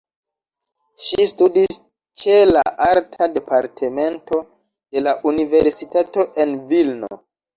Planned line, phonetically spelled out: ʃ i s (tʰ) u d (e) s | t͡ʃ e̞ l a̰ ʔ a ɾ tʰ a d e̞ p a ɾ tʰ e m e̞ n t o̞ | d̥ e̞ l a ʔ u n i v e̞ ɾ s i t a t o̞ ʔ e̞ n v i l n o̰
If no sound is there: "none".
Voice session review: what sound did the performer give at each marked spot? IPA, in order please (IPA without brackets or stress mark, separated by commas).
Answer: t, i